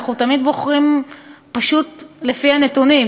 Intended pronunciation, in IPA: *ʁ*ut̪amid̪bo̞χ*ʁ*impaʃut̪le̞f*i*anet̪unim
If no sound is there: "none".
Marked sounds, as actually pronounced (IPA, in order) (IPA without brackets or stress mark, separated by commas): χ, ʁ, i